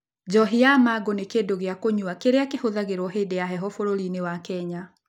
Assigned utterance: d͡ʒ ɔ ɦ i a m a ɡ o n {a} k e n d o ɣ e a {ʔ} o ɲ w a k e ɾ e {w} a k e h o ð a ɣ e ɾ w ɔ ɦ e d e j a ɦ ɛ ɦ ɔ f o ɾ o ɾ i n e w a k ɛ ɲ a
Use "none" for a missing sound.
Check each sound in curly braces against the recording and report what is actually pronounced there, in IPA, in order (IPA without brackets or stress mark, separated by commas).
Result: e, k, none